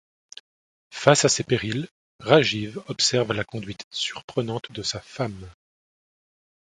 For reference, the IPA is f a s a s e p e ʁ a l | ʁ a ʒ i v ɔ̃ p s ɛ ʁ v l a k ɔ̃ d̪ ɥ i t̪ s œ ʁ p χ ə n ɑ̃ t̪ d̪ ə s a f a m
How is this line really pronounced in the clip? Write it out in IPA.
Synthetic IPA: f a s a s e p e ʁ i l | ʁ a ʒ i v ɔ p s ɛ ʁ v l a k ɔ̃ d̪ ɥ i t̪ s y ʁ p χ ə n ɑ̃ t̪ d̪ ə s a f a m